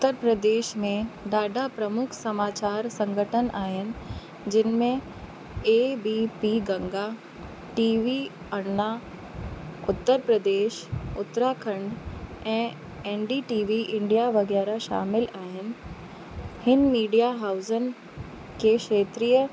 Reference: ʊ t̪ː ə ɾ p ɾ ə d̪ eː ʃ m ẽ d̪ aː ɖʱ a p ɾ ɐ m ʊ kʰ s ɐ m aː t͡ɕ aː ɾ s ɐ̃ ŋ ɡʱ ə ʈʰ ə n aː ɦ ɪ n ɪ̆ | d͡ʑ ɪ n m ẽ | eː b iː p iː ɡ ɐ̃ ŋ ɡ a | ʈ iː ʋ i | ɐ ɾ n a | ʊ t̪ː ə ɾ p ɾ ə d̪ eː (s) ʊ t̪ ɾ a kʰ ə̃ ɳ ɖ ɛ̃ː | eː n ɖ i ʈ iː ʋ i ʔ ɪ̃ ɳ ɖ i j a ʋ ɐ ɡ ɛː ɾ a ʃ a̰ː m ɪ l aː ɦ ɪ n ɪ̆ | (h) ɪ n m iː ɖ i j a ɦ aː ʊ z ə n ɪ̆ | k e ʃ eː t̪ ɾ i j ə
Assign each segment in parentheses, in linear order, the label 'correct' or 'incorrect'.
incorrect, correct

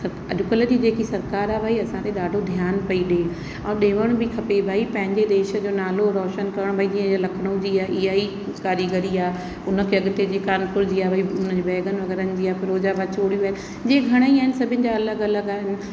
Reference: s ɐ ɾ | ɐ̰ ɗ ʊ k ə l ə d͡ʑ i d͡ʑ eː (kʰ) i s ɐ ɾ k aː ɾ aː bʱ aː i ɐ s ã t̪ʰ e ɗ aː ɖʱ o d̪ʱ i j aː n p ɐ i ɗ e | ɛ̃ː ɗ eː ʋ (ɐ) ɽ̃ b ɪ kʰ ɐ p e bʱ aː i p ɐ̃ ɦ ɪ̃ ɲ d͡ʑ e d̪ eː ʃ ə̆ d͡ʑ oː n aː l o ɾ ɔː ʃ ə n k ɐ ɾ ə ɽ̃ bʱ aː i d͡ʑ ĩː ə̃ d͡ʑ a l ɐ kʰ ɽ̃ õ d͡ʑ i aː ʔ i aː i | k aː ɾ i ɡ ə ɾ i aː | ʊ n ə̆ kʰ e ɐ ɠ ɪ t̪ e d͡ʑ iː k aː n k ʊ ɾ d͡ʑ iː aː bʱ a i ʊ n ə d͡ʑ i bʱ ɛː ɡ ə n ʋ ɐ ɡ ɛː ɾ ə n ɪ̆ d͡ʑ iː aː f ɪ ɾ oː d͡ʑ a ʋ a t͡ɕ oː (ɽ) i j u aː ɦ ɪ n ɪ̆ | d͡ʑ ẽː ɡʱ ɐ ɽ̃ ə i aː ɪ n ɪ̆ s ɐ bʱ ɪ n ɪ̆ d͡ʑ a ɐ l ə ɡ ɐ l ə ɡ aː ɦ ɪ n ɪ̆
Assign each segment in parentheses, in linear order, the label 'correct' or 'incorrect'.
incorrect, incorrect, correct

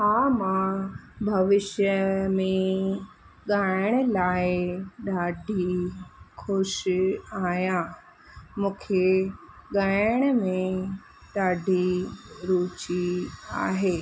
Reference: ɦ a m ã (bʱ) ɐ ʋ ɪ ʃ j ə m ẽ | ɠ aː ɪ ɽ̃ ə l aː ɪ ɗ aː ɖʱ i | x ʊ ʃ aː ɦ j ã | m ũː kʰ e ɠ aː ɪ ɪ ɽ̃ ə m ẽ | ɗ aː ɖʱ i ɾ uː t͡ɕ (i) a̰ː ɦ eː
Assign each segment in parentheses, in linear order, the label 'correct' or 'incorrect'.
correct, correct

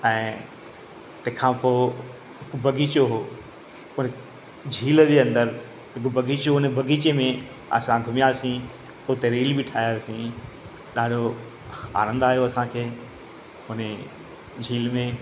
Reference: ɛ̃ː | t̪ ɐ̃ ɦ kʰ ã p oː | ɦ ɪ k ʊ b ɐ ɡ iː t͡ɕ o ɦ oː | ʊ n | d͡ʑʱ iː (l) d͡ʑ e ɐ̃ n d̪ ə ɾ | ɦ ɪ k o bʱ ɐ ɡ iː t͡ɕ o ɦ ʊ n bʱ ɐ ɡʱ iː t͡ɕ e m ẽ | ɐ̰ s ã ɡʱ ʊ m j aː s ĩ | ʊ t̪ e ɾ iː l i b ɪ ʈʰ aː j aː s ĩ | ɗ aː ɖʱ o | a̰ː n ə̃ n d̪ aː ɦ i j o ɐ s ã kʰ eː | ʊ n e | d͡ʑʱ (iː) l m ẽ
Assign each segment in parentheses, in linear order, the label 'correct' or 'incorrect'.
correct, correct

